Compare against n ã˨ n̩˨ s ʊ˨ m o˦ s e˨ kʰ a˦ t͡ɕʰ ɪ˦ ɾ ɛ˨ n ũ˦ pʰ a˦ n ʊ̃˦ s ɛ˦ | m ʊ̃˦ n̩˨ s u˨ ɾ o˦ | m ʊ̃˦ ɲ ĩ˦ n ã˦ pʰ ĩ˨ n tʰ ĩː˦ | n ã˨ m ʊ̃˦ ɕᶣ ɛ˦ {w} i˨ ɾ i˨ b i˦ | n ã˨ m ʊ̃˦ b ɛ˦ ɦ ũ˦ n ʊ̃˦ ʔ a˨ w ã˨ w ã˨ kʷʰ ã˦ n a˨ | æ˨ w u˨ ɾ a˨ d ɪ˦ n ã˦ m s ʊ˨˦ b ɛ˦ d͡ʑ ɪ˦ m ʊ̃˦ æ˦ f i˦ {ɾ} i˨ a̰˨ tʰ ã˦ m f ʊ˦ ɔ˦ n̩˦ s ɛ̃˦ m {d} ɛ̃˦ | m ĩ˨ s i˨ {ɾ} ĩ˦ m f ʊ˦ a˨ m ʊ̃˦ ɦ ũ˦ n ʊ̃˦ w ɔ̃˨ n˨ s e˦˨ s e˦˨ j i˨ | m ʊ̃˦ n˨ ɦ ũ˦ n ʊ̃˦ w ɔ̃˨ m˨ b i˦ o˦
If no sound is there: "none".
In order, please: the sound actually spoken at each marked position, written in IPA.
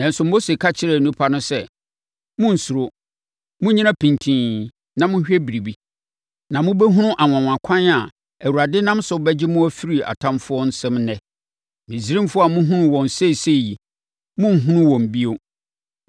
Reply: b, ɾ, n, ɾ

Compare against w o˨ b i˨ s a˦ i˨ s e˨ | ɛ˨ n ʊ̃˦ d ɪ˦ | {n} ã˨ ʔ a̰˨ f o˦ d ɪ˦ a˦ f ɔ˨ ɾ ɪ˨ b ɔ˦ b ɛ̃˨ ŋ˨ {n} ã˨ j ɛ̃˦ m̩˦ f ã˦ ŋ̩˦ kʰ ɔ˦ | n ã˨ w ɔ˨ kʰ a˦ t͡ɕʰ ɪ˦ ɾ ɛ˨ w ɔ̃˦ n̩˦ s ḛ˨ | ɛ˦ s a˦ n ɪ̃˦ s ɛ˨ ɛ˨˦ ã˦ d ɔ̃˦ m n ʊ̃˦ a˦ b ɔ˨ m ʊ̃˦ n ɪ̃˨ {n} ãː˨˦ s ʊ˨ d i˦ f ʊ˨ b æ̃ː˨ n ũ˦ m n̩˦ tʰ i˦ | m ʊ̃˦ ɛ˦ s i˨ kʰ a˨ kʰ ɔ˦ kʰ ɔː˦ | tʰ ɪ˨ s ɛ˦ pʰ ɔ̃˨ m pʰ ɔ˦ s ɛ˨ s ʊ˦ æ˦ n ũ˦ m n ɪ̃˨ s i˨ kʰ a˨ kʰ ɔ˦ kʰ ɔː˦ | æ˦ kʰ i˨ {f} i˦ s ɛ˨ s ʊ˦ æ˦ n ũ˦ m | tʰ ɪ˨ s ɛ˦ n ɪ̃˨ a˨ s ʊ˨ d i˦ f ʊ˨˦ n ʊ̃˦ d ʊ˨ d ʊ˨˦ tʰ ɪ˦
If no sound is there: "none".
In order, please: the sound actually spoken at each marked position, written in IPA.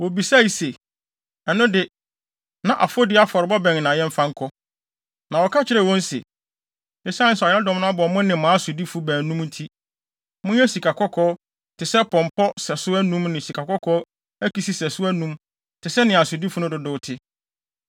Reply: n, n, m, s

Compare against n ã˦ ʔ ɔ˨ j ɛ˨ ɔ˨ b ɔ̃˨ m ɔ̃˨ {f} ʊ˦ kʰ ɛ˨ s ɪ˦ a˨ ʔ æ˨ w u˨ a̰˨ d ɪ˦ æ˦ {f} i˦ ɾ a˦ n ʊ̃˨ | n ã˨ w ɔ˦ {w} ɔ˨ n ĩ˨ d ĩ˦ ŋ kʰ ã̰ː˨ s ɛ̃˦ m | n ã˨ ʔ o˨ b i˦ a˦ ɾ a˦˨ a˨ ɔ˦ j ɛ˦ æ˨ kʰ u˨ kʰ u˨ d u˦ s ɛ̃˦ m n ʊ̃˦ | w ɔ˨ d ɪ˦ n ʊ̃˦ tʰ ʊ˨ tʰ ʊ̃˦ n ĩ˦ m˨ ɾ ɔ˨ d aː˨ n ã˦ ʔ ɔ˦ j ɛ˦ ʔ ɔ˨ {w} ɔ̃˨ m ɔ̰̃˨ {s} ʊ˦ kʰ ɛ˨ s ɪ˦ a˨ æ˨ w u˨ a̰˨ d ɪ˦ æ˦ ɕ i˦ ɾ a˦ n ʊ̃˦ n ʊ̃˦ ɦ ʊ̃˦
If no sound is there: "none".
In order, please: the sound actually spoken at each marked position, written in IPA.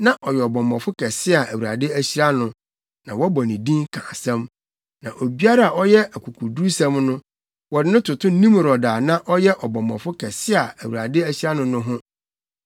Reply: f, ɕ, b, b, f

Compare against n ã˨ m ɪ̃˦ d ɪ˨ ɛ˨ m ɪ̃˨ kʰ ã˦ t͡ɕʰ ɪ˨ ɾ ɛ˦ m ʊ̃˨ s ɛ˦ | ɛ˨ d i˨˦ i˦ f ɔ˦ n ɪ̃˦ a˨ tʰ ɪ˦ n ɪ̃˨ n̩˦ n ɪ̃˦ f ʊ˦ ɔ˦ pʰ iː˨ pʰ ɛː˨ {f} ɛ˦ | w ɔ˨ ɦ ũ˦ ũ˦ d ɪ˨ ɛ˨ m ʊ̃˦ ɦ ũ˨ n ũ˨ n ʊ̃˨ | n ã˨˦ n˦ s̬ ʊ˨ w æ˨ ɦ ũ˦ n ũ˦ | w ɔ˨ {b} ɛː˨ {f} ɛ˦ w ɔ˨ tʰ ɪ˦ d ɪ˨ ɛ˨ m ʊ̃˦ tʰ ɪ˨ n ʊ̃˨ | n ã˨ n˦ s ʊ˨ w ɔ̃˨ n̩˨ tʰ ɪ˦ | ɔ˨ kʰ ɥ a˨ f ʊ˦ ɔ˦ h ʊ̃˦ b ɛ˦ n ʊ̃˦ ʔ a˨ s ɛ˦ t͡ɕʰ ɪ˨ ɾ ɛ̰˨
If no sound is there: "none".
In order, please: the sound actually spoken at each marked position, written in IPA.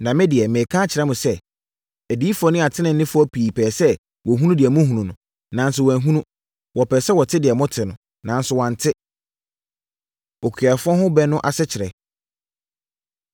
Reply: s, p, s

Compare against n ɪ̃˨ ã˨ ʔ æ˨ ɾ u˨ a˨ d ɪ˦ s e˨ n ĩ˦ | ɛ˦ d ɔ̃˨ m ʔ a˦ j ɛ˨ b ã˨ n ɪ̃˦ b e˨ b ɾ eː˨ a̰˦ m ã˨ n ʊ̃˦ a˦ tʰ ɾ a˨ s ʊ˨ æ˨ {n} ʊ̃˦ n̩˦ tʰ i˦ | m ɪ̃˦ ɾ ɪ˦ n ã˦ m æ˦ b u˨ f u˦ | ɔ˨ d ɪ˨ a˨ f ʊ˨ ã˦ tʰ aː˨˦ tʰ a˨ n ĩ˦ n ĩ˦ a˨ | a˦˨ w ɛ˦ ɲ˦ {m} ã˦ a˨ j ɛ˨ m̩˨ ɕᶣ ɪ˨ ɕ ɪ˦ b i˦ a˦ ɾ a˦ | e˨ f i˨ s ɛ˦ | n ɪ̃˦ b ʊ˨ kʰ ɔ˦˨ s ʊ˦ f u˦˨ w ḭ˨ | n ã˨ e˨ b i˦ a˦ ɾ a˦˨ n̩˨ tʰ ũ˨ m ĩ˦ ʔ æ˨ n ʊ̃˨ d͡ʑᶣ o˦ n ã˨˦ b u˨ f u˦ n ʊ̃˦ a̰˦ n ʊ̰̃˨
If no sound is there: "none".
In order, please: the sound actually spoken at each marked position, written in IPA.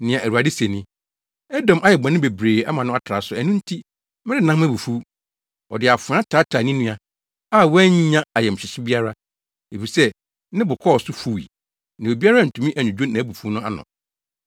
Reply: n, ɲ

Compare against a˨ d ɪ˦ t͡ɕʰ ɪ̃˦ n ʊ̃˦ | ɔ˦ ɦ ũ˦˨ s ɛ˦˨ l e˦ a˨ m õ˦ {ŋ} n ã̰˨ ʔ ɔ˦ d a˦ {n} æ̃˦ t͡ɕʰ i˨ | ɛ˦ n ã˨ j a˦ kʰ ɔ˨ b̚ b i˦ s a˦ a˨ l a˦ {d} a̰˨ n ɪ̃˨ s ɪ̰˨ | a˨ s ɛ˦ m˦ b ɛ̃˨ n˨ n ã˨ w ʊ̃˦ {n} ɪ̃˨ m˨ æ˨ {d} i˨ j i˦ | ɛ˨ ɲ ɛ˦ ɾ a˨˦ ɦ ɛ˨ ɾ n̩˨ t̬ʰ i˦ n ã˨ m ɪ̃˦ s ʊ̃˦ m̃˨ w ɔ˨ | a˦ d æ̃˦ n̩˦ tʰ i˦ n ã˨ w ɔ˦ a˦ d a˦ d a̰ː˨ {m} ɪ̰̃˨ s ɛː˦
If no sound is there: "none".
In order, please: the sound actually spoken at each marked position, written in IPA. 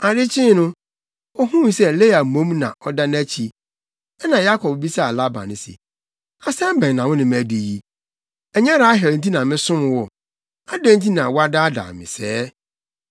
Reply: m, n, b, n, d, m

